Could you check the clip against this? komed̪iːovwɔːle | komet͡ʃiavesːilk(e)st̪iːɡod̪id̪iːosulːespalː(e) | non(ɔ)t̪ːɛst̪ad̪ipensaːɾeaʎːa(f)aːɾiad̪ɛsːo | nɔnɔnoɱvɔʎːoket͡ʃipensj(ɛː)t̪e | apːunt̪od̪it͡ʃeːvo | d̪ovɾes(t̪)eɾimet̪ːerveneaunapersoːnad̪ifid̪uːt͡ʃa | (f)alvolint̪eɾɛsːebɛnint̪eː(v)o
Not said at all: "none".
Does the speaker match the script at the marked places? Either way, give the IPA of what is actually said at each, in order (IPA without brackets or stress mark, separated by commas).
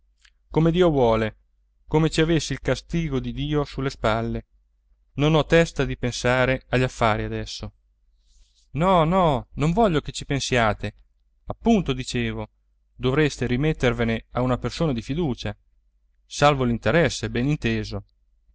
a, e, ɔ, fː, aː, t̪, s, z